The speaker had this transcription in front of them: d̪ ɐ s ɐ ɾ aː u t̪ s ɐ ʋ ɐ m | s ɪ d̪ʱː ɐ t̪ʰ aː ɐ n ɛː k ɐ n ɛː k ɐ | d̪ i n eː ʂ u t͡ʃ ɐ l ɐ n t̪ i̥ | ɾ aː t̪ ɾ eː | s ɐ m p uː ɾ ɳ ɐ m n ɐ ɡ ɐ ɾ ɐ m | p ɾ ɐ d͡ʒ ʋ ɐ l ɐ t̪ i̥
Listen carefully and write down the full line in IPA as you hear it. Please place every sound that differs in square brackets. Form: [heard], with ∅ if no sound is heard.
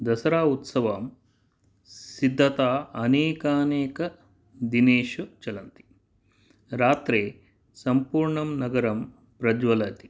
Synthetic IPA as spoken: d̪ ɐ s ɐ ɾ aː u t̪ s ɐ ʋ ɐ m | s [i] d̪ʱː ɐ [t̪] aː ɐ n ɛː k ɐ n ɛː k ɐ | d̪ i n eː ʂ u t͡ʃ ɐ l ɐ n t̪ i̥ | ɾ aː t̪ ɾ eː | s ɐ m p uː ɾ ɳ ɐ m n ɐ ɡ ɐ ɾ ɐ m | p ɾ ɐ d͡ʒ ʋ ɐ l ɐ t̪ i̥